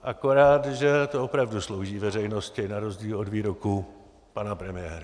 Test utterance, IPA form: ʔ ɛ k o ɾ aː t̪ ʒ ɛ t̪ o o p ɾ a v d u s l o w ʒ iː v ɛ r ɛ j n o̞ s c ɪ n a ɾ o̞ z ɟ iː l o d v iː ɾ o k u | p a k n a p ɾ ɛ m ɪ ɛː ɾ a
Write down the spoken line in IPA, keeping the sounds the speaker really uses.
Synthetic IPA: ʔ a k o ɾ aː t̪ ʒ ɛ t̪ o o p ɾ a v d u s l o w ʒ iː v ɛ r ɛ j n o̞ s c ɪ n a ɾ o̞ z ɟ iː l o d v iː ɾ o k u | p a n a p ɾ ɛ m ɪ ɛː ɾ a